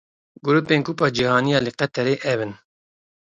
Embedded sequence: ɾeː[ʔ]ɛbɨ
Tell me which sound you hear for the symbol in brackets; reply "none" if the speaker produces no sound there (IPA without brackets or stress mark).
ʔ